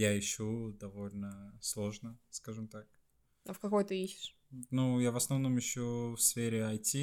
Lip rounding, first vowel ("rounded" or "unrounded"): unrounded